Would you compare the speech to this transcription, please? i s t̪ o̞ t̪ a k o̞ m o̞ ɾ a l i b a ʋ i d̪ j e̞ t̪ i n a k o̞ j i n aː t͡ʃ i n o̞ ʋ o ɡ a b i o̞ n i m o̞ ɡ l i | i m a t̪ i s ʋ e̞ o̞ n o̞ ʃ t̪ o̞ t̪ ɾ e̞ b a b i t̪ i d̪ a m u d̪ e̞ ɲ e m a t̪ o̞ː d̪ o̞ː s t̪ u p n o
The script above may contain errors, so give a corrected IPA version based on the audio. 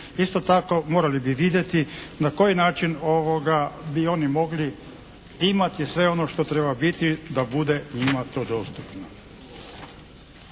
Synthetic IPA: i s t̪ o̞ t̪ a k o̞ m o̞ ɾ a l i b i ʋ i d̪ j e̞ t̪ i n a k o̞ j i n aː t͡ʃ i n o̞ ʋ o ɡ a b i o̞ n i m o̞ ɡ l i | i m a t̪ i s ʋ e̞ o̞ n o̞ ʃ t̪ o̞ t̪ ɾ e̞ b a b i t̪ i d̪ a b u d̪ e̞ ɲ i m a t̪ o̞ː d̪ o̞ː s t̪ u p n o